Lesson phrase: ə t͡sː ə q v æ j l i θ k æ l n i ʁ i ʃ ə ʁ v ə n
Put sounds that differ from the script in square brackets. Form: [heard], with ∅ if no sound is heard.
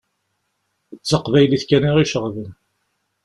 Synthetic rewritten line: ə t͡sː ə q v æ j l i θ k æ [∅] n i ʁ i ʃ ə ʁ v ə n